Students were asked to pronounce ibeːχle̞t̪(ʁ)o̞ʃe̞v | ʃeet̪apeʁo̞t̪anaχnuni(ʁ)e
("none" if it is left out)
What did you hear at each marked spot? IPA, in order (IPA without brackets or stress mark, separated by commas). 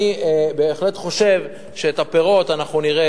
χ, ʁ